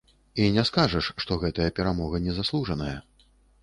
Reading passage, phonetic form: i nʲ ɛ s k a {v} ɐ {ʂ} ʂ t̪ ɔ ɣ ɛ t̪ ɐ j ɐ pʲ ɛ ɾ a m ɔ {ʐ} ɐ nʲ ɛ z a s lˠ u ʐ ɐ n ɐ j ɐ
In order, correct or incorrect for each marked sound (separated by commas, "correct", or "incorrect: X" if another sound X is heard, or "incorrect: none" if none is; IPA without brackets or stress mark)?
incorrect: ʐ, correct, incorrect: ɣ